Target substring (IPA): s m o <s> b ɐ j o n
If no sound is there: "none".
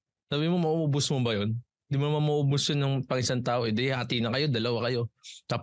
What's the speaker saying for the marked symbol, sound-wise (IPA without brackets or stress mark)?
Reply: none